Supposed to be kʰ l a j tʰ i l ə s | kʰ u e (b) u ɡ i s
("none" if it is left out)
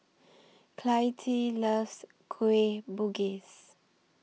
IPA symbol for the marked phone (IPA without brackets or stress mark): b